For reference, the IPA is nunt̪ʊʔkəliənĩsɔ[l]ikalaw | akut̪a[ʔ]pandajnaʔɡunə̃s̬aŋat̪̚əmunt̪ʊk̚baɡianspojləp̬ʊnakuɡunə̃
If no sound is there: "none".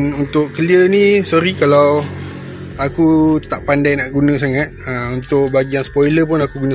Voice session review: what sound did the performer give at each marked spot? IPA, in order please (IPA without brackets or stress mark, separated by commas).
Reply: ɾ, ʔ